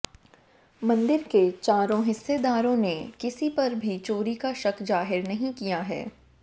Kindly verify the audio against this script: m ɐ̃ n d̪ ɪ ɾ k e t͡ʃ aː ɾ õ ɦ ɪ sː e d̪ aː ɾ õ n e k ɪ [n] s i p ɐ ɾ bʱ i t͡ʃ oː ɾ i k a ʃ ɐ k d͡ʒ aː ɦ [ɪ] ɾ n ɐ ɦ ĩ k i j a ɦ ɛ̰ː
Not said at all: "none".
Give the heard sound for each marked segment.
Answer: none, ɪ

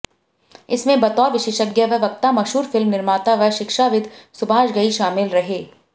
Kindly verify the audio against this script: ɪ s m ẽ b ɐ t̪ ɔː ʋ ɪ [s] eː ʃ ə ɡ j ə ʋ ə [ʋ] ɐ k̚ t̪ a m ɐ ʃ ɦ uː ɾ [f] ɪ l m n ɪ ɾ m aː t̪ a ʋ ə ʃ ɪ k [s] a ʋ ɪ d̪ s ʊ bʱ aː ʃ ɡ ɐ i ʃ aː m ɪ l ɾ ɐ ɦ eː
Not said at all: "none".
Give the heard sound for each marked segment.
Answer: ʃ, ʋ, f, ʃ

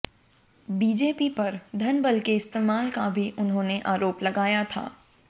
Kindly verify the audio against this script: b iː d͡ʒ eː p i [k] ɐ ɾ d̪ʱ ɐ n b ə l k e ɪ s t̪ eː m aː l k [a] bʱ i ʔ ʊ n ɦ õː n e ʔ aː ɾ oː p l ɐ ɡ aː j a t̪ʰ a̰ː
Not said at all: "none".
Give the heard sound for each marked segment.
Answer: p, a

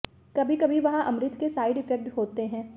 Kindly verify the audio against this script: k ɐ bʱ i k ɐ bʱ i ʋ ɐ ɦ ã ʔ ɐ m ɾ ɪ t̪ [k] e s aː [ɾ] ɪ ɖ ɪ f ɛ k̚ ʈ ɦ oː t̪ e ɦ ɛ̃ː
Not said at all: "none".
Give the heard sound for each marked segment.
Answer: k, none

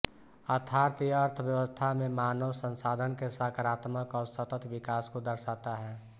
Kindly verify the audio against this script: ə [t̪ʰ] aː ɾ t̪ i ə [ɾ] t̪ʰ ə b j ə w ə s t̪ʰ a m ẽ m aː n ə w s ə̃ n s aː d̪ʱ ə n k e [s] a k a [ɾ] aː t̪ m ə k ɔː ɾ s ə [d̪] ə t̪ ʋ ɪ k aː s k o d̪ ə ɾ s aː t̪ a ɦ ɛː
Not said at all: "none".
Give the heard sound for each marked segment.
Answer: t̪ʰ, ɾ, s, ɾ, t̪

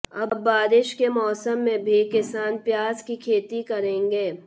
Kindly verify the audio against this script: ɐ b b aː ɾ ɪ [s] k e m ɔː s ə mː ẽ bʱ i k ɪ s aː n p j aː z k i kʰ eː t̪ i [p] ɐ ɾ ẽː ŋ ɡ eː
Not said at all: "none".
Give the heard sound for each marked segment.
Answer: ʃ, k

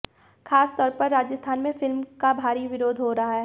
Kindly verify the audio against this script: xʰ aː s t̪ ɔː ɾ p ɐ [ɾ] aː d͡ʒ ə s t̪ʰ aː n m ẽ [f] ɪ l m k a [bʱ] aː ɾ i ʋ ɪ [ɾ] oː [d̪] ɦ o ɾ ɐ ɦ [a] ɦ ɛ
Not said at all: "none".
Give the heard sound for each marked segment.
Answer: ɾː, f, bʱ, ɾ, d̪, a

